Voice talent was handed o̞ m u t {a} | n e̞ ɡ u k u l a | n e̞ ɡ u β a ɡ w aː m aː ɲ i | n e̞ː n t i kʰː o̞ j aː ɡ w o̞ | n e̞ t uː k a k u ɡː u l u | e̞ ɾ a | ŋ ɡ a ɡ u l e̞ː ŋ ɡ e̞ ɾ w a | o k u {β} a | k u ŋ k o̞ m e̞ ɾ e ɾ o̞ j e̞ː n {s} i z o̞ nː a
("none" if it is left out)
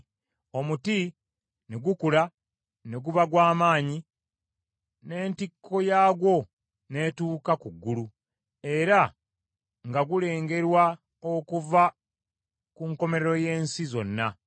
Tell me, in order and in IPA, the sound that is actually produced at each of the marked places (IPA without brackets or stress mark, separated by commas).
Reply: i, v, s